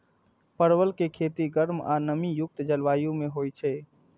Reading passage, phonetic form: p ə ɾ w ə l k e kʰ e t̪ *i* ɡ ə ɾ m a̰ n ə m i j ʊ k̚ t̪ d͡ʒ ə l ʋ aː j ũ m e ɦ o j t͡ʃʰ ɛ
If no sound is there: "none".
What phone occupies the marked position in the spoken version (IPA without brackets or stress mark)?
i